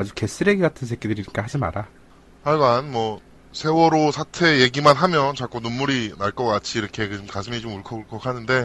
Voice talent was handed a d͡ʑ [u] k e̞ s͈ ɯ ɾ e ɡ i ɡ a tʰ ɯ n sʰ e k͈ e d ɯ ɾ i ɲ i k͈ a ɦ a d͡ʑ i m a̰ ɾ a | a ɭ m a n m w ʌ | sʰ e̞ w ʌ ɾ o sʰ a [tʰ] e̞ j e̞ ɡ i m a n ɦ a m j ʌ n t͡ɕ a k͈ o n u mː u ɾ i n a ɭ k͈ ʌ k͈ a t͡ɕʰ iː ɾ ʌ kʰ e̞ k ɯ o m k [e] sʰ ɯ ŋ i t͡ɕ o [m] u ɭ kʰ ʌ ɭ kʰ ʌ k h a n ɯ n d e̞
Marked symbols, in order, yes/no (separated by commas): yes, yes, no, yes